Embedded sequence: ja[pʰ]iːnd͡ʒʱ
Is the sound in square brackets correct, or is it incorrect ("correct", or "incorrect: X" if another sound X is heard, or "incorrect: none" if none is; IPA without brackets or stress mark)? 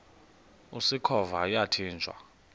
incorrect: tʰ